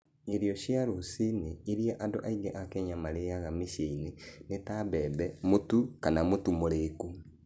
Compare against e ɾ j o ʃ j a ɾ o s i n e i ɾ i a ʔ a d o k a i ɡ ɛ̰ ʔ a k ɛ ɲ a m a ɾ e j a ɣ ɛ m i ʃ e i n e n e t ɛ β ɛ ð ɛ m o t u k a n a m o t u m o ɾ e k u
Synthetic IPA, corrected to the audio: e ɾ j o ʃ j a ɾ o s i n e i ɾ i a ʔ a d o ʔ a i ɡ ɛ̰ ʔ a k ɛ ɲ a m a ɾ e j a ɣ a m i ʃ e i n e n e t a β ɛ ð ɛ m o t u k a n a m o t u m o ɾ e k u